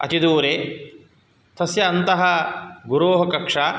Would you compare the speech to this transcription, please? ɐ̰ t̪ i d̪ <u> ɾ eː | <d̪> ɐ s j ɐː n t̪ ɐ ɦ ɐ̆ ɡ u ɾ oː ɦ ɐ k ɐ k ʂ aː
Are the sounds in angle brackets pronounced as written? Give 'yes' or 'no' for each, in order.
no, no

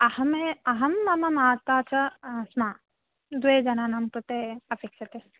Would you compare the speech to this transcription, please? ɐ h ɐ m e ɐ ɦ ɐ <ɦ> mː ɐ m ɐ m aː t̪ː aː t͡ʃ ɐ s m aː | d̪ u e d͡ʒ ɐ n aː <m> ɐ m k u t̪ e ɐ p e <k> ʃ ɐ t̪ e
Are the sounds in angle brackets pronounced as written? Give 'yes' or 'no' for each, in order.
no, no, yes

